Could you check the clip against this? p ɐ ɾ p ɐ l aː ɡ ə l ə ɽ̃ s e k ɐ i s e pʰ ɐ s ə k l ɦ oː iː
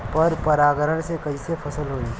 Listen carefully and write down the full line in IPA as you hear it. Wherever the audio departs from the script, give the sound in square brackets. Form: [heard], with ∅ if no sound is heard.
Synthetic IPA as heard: p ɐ ɾ p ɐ [ɾ] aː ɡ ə [ɾ] ə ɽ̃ s e k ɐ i s e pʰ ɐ s ə [∅] l ɦ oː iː